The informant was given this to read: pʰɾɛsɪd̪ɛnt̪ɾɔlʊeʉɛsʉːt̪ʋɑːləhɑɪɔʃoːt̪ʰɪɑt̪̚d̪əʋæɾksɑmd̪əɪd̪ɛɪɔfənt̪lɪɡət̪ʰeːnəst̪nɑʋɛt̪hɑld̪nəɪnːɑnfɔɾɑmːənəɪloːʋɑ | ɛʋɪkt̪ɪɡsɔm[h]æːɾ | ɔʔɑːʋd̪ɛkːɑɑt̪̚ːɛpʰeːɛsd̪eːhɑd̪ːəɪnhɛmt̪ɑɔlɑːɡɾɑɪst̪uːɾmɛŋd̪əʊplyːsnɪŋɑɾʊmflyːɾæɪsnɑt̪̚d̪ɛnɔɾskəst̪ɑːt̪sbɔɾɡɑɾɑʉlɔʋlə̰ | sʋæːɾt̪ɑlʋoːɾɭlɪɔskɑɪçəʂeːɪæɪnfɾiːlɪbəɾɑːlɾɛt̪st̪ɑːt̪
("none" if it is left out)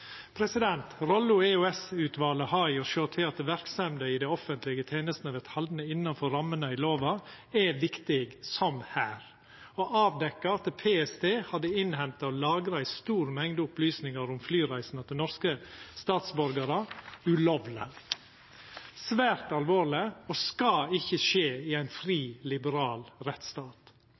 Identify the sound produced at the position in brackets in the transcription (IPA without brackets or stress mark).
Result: h